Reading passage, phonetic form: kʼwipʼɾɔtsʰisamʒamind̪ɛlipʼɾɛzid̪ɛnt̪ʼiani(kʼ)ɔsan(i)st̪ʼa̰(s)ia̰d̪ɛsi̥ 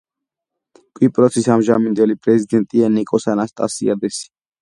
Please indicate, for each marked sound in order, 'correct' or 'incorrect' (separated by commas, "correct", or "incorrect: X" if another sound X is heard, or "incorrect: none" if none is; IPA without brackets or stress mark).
correct, incorrect: a, correct